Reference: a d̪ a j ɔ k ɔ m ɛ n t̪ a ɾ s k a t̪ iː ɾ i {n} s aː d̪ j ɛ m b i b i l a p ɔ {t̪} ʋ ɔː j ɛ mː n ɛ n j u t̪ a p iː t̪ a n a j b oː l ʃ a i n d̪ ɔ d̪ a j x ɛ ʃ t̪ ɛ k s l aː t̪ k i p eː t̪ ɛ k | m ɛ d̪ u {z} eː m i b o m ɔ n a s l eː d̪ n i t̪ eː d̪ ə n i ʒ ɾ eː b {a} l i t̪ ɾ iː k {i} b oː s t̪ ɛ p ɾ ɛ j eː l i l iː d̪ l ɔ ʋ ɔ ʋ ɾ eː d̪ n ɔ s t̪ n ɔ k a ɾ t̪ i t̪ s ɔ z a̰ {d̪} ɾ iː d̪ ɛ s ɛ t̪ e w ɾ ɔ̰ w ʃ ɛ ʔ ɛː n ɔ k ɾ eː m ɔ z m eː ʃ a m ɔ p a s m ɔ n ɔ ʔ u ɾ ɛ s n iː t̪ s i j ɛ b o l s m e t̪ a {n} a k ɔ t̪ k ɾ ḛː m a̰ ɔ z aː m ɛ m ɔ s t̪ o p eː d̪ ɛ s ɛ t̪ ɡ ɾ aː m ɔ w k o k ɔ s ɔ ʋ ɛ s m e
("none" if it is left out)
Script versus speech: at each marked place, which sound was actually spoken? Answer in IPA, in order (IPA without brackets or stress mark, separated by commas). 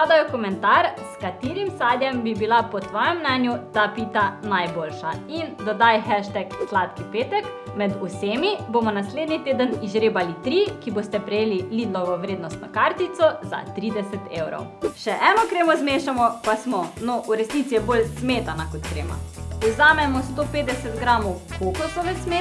m, t̪, s, a, i, t̪, n